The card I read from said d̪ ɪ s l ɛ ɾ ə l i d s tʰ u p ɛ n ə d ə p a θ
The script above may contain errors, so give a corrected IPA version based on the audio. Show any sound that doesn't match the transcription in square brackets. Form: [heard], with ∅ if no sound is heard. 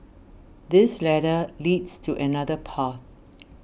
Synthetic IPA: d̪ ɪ s l ɛ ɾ ə l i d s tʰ u [ʔ] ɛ n [a] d ə [pʰ] a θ